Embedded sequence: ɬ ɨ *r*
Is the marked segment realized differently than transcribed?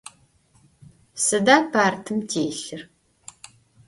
no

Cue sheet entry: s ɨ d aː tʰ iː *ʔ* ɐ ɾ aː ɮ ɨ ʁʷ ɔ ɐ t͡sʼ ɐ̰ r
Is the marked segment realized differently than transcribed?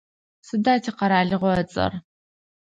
yes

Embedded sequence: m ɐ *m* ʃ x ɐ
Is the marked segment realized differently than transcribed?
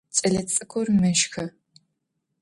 yes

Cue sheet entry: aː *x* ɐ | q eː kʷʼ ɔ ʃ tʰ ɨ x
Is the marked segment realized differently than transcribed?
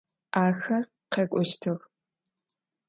no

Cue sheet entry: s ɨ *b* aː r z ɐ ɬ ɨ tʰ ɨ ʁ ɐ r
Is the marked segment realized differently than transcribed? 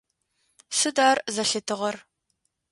yes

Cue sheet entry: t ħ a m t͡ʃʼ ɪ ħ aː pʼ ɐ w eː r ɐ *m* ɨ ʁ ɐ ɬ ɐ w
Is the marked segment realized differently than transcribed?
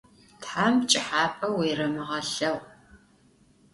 no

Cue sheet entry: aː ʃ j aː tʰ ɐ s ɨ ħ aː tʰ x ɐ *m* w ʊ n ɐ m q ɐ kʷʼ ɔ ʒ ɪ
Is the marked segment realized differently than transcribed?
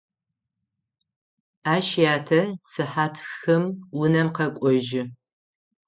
no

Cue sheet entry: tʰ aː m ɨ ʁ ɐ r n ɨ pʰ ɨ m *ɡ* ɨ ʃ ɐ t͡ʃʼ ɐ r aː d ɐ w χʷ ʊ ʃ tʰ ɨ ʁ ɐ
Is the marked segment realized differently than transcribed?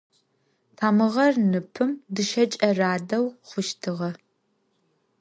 yes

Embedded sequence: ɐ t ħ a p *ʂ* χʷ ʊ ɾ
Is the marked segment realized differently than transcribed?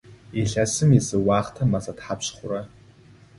yes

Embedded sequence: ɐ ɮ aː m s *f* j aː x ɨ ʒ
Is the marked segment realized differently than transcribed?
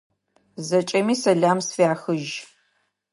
no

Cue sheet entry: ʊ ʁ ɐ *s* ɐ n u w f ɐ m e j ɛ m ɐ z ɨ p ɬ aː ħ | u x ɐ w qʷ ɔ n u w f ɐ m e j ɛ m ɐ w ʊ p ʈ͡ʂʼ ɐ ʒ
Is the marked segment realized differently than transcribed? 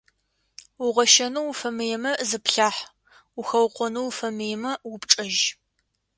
yes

